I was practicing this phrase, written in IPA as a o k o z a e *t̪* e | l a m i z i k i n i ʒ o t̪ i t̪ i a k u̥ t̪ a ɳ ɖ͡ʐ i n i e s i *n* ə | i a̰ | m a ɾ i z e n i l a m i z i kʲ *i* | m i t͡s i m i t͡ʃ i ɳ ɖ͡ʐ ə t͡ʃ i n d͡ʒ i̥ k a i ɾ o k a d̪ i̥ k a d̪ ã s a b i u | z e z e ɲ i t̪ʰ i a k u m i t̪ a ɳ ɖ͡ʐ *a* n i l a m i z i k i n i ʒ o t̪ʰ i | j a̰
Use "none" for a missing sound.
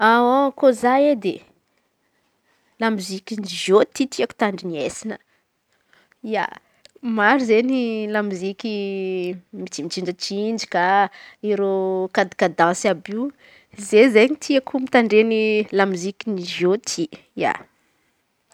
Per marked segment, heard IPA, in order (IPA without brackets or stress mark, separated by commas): d̪, n, i, e